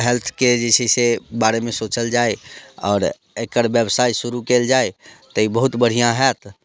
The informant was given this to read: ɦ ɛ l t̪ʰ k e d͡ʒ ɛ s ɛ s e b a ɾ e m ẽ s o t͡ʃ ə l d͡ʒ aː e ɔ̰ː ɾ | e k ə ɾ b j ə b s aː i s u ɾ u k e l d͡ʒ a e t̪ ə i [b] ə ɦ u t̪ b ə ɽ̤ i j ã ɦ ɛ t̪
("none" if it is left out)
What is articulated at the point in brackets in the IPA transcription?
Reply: b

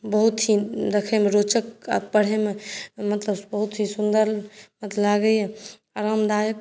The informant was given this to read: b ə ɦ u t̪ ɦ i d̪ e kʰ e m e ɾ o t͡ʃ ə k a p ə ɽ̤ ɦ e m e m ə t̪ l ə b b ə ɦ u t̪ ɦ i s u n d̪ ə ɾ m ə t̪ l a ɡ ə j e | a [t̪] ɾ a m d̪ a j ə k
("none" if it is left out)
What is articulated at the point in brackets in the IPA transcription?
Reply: none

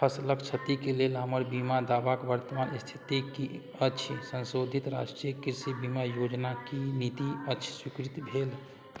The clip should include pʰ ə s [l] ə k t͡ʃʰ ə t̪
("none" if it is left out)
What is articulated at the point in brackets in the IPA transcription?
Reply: l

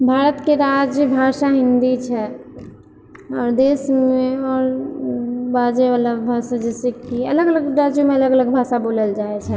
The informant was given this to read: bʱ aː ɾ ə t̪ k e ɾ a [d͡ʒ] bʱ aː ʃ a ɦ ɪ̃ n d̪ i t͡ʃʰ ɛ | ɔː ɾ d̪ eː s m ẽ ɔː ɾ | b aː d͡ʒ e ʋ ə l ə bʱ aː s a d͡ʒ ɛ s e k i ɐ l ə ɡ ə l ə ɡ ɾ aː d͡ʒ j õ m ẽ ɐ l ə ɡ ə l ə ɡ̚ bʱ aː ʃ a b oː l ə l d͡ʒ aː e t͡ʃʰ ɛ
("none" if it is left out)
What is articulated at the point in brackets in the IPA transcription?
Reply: d͡ʒ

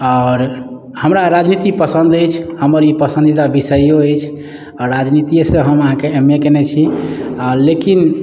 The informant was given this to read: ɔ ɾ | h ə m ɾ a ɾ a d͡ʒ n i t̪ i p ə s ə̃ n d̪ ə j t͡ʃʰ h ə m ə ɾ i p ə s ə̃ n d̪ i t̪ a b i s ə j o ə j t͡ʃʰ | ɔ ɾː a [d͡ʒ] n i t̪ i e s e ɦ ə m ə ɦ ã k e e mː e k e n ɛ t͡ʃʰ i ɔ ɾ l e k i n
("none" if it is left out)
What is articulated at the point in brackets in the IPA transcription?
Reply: d͡ʒ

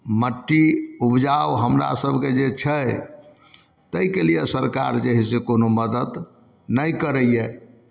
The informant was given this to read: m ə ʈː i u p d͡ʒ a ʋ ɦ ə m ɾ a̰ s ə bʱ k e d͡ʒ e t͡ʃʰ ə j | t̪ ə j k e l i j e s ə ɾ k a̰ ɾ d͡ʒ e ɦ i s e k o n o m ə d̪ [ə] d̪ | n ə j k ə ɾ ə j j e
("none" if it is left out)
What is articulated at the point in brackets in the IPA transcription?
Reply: ə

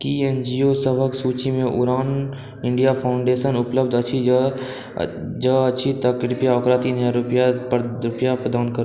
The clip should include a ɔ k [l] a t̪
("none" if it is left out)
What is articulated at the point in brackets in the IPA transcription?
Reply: ɾ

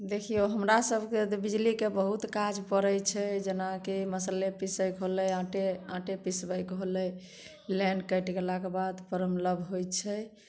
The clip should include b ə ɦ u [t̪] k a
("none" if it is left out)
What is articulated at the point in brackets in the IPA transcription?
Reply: t̪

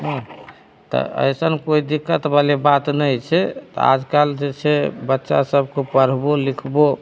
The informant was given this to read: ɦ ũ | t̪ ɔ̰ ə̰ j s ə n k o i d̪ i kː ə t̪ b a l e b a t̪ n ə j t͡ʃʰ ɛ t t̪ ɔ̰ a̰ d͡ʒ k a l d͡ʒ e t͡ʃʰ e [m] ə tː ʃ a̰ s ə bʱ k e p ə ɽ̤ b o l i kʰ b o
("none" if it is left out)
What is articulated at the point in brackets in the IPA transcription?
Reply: b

